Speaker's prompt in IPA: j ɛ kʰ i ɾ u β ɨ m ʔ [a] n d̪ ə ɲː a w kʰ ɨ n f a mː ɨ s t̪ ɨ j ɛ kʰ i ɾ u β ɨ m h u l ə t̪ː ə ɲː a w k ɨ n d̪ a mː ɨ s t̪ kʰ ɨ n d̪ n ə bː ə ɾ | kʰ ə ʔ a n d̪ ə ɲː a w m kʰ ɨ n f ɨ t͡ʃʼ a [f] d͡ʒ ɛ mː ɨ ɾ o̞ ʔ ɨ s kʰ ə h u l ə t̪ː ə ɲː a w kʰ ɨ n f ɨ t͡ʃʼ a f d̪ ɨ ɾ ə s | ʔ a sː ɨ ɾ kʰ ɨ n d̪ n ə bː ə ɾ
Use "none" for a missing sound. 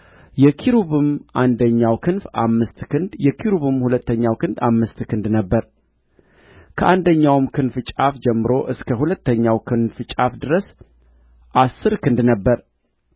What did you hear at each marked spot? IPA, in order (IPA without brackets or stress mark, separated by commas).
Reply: a, f